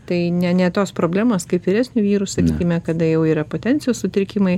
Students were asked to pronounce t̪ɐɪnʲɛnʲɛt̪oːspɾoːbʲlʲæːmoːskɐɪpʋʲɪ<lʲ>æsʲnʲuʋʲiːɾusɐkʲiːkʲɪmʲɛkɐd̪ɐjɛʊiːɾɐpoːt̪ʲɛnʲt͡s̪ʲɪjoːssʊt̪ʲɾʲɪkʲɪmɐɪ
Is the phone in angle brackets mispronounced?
yes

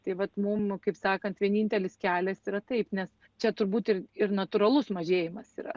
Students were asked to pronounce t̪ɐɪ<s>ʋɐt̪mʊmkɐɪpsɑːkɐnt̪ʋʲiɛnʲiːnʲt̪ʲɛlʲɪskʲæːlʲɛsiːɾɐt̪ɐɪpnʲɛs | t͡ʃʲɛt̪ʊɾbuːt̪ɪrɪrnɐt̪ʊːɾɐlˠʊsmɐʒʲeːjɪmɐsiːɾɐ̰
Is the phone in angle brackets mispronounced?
yes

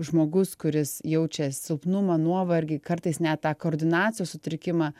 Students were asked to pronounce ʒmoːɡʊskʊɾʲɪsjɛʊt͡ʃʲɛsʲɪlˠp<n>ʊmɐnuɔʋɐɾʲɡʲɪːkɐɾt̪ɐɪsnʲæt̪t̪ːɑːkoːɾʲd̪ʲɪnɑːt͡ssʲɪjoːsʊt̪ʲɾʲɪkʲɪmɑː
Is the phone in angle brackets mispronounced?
no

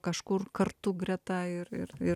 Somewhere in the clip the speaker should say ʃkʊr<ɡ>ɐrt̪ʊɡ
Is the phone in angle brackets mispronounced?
yes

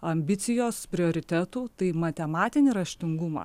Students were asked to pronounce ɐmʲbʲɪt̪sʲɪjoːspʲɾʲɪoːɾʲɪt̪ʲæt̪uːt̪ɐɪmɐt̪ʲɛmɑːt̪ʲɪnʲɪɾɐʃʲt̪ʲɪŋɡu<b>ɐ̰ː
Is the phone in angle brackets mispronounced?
yes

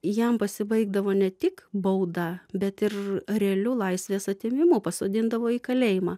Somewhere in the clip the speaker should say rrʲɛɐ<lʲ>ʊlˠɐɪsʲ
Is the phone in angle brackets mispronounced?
no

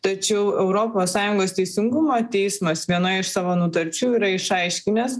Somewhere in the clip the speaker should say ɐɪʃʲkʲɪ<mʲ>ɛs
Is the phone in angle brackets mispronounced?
yes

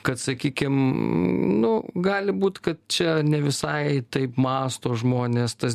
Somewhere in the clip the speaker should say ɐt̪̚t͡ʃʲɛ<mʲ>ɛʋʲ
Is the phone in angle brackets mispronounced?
yes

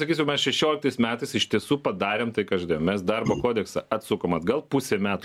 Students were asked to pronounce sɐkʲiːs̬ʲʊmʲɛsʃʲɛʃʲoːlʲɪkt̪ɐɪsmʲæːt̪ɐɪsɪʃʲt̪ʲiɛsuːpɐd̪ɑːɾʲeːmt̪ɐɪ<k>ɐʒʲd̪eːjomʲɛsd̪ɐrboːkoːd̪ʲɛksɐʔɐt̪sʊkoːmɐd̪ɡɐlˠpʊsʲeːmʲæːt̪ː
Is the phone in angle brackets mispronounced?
no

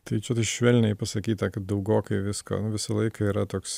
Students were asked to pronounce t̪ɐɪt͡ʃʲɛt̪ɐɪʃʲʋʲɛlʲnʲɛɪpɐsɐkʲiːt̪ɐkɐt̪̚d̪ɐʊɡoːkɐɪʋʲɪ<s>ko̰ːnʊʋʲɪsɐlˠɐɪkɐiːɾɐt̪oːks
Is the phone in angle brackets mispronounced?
no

